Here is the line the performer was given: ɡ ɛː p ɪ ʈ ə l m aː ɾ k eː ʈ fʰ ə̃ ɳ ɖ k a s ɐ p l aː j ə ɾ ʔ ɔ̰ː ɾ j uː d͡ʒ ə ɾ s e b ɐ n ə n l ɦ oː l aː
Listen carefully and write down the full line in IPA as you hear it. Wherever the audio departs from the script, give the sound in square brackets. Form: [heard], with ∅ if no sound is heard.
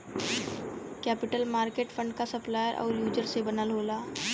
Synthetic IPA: [k] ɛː p ɪ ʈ ə l m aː ɾ k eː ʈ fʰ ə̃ ɳ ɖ k a s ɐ p l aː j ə ɾ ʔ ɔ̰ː ɾ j uː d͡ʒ ə ɾ s e b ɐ n ə [∅] l ɦ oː l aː